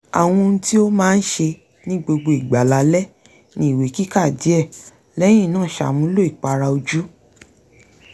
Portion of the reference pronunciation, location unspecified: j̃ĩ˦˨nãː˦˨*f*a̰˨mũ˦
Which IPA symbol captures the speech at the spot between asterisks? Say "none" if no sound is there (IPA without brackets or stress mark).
ʃ